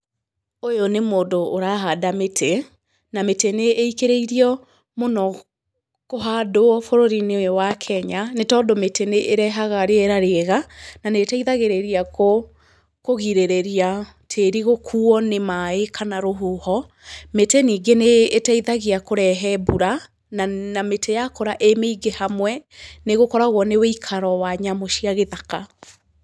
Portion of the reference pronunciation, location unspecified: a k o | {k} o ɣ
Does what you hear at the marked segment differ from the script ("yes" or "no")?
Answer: no